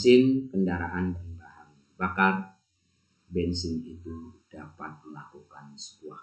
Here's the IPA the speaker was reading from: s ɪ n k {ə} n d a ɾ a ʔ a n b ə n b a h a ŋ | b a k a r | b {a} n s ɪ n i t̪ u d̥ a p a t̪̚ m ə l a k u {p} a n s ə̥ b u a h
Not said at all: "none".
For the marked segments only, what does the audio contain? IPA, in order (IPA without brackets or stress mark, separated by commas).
ə, ɛ, k